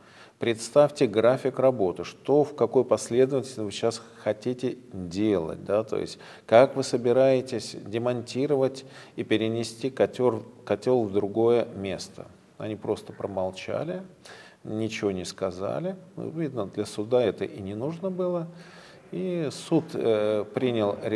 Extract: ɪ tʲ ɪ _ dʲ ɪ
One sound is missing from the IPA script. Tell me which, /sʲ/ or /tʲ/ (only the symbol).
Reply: sʲ